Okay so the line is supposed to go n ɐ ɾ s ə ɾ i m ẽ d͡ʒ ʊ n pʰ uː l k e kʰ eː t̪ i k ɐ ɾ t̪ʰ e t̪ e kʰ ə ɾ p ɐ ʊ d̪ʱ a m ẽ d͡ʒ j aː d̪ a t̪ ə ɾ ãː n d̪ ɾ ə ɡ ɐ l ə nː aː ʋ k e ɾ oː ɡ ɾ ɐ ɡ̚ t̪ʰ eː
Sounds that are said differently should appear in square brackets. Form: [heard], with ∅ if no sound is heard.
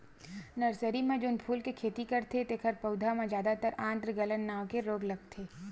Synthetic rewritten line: n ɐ ɾ s ə ɾ i m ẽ d͡ʒ ʊ n pʰ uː l k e kʰ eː t̪ i k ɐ ɾ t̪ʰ e t̪ e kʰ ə ɾ p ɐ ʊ d̪ʱ a m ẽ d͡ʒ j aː d̪ a t̪ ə ɾ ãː n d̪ ɾ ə ɡ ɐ l ə nː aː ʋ k e ɾ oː ɡ [l] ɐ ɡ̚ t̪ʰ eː